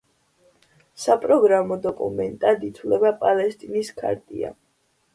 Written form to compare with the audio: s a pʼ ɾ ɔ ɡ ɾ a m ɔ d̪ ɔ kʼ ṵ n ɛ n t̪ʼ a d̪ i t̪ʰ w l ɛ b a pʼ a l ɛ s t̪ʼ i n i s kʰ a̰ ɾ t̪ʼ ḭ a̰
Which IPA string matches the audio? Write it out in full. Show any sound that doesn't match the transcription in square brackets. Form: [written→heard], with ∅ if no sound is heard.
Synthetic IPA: s a pʼ ɾ ɔ ɡ ɾ a m ɔ d̪ ɔ kʼ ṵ [n→m] ɛ n t̪ʼ a d̪ i t̪ʰ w l ɛ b a pʼ a l ɛ s t̪ʼ i n i s kʰ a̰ ɾ t̪ʼ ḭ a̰